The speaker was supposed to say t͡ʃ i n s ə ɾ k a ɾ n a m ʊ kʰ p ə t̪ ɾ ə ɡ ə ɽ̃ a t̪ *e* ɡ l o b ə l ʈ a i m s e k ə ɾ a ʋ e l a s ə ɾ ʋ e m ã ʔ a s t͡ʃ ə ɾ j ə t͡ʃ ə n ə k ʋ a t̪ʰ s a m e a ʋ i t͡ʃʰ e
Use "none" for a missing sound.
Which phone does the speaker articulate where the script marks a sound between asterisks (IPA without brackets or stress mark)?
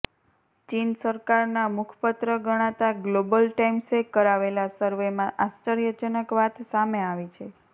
a